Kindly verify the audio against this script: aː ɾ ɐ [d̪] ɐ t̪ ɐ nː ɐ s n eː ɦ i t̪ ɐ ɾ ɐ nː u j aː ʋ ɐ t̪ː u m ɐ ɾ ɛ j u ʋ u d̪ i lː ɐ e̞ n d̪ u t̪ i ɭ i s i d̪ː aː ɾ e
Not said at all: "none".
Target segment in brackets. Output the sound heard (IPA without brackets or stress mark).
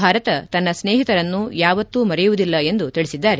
t̪